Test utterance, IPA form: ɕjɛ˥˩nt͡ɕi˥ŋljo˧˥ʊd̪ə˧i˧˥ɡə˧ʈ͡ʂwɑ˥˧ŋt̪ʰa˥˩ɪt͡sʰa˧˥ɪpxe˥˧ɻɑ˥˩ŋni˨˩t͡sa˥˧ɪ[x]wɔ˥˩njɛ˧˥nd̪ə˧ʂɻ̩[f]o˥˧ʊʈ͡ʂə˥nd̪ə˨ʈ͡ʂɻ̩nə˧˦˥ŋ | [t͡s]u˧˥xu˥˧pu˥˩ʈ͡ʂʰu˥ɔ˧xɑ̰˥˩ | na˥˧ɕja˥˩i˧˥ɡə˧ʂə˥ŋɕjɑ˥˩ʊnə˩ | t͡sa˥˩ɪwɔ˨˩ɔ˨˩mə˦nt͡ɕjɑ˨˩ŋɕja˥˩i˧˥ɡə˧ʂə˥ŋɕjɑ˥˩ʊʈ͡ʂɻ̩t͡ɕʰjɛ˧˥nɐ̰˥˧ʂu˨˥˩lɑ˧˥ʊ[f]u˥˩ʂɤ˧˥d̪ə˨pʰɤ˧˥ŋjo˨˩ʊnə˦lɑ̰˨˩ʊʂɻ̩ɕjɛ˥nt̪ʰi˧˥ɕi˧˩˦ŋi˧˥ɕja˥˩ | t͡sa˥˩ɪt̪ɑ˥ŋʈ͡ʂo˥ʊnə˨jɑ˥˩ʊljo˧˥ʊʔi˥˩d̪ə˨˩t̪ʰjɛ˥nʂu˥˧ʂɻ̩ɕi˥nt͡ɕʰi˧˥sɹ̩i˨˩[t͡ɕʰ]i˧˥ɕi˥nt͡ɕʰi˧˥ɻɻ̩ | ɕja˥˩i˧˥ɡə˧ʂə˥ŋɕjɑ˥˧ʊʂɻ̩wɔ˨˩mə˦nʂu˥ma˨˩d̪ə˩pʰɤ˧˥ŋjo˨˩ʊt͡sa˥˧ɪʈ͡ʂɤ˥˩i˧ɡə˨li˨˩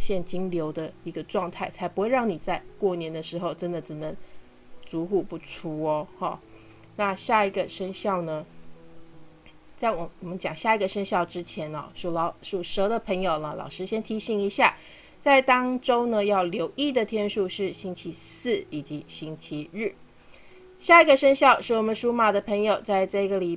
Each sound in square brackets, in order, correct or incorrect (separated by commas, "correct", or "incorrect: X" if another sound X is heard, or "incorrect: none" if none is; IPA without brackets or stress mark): incorrect: k, incorrect: x, correct, incorrect: ʂ, incorrect: t͡ɕ